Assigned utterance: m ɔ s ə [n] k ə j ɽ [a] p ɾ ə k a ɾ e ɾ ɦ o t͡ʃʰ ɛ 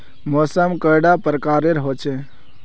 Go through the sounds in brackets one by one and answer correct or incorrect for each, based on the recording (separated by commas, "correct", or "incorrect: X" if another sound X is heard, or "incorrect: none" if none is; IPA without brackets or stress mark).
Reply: incorrect: m, correct